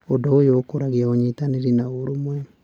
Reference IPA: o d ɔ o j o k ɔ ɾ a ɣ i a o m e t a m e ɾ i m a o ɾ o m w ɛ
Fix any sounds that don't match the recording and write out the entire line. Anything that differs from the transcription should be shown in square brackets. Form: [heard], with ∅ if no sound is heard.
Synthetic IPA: o d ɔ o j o k [o] ɾ a ɣ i a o [ɲ] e t a [n] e ɾ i [n] a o ɾ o m w ɛ